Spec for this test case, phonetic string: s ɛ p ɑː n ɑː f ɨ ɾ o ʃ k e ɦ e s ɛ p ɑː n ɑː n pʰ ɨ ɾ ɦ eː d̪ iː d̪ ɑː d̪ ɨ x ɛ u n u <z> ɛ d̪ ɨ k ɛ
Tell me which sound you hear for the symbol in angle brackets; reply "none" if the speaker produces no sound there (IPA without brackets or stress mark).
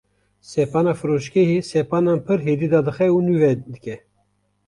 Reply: v